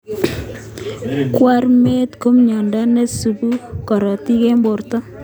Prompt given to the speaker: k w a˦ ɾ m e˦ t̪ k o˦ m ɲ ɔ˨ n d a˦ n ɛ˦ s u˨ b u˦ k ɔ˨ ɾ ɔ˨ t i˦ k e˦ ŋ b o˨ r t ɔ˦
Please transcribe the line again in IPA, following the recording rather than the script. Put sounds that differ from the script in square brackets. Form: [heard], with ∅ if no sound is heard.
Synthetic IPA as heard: k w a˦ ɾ m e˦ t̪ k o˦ m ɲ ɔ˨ n d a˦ n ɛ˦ s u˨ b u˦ k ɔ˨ ɾ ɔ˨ t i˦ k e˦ [m] b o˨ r t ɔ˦

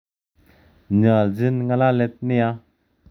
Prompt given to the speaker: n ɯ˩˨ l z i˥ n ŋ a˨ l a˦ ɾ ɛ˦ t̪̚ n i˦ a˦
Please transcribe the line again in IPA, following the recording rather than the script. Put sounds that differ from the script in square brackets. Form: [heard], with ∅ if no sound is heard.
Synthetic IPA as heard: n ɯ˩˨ l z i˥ n ŋ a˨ l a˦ [l] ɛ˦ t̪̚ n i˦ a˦

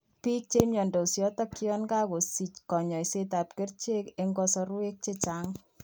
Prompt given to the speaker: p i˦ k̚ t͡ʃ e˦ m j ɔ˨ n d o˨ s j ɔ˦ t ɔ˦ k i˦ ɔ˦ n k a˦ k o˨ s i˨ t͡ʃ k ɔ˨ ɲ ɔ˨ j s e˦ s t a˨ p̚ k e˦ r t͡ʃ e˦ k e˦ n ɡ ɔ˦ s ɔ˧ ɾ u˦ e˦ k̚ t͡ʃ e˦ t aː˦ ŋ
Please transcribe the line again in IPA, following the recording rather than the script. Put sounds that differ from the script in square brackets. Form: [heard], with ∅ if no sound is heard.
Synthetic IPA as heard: p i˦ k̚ t͡ʃ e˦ m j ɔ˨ n d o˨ s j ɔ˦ t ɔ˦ k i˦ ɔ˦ n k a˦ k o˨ s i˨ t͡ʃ k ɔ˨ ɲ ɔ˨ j s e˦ [∅] t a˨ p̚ k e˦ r t͡ʃ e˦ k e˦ [ŋ] ɡ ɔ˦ s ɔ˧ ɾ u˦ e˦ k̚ t͡ʃ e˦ [t͡ʃ] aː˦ ŋ

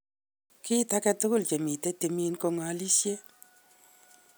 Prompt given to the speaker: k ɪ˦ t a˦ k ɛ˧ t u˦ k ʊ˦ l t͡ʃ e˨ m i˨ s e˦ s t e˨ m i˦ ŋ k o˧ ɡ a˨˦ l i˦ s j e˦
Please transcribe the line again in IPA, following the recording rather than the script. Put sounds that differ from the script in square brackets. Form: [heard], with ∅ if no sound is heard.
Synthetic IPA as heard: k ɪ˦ t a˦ k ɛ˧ t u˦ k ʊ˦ l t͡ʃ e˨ m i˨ [t] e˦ [∅] t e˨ m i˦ [n] k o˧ [ŋ] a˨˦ l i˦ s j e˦

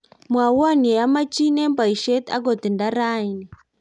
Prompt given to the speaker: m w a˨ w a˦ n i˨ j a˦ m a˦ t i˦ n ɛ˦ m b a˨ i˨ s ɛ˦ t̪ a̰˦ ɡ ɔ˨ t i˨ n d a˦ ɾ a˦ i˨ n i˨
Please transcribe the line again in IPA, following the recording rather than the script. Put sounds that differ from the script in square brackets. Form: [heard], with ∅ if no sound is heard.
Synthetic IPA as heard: m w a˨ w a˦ n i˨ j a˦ m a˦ [t͡ʃ] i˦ n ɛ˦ m b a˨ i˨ [ʃ] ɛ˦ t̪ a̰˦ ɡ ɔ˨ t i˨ n d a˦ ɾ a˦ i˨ n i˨

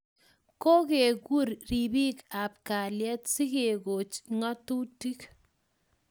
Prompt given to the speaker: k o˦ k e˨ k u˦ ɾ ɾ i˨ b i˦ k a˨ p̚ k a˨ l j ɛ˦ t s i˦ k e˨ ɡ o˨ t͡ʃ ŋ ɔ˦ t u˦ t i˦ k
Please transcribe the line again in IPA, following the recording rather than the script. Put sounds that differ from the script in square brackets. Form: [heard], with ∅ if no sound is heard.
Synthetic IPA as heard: k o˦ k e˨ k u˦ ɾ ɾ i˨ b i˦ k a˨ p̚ k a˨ l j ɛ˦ t s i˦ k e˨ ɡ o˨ t͡ʃ ŋ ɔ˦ t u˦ t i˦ k

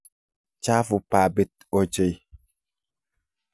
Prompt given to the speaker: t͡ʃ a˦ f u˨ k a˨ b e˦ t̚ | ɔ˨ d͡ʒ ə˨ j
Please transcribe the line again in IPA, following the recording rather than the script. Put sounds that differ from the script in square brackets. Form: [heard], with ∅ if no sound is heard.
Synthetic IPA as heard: t͡ʃ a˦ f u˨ [p] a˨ b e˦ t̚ | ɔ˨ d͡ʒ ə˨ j

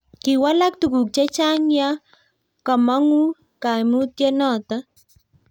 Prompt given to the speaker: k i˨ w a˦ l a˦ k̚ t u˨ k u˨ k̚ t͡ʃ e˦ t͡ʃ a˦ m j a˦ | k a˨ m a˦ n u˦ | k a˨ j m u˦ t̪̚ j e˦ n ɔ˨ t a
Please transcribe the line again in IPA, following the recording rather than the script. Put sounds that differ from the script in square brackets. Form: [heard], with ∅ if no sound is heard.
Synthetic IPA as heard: k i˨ w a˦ l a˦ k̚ t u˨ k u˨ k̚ t͡ʃ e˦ t͡ʃ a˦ [ŋ] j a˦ | k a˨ m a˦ [ŋ] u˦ | k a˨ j m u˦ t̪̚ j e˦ n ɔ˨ t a

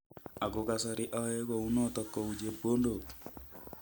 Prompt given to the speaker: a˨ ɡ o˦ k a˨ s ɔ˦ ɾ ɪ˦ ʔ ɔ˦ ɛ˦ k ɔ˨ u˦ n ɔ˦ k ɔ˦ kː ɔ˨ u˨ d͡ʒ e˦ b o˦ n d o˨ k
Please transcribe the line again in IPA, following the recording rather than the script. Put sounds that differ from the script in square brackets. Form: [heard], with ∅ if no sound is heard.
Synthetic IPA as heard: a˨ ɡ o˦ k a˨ s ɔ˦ ɾ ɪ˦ ʔ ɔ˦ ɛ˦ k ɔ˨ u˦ n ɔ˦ [t] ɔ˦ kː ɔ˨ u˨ d͡ʒ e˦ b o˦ n d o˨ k

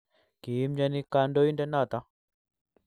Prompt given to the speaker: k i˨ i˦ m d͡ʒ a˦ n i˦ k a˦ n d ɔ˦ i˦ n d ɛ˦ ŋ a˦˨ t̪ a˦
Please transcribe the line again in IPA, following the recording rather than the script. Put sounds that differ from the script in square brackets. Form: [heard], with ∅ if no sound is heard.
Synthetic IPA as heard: k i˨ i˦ m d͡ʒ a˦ n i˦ k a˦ n d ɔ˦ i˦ n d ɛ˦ [n] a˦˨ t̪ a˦

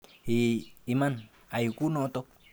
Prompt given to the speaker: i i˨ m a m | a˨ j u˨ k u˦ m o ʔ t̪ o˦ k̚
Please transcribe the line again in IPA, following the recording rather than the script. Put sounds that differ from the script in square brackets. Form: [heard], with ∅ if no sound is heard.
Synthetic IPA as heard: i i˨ m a [n] | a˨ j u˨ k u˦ [n] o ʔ t̪ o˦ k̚

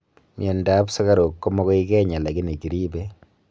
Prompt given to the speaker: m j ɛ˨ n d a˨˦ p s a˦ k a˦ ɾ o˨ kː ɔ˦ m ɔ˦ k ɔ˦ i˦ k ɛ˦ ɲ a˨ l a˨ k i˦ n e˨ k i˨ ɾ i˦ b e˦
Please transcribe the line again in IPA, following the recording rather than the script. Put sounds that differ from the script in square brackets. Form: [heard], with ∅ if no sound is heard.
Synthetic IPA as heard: m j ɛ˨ n d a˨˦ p s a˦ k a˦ ɾ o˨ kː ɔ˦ m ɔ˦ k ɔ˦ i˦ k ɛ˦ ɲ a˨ l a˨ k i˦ n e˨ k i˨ ɾ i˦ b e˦

